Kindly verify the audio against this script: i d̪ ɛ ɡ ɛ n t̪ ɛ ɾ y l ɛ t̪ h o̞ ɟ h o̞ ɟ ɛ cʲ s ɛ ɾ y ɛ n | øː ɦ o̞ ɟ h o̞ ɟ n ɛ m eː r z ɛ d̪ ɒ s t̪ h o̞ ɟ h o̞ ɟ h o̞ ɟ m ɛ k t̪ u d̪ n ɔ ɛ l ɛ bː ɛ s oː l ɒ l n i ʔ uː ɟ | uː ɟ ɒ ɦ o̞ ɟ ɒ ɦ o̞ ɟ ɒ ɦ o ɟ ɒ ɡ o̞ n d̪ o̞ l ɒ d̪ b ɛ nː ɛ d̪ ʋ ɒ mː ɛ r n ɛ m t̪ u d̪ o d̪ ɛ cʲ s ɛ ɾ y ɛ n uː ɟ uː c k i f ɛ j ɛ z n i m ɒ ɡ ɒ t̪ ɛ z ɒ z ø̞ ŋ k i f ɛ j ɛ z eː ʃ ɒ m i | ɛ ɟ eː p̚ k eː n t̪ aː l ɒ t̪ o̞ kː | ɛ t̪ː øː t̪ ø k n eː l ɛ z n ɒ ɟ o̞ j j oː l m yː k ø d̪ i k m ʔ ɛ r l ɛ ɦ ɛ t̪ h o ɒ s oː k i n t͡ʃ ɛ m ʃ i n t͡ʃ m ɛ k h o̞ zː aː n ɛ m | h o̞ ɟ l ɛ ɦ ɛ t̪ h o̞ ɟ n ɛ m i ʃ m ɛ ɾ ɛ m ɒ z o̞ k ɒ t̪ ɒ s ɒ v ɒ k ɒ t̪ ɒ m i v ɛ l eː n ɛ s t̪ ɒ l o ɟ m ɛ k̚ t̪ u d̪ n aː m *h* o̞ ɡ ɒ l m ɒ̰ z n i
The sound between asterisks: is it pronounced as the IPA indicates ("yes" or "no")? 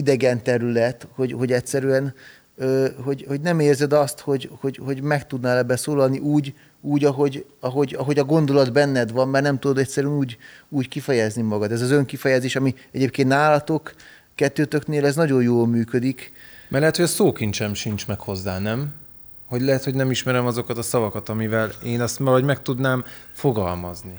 no